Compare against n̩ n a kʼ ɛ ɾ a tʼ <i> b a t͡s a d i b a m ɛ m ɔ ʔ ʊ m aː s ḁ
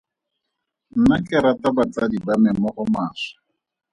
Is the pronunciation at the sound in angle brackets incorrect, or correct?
incorrect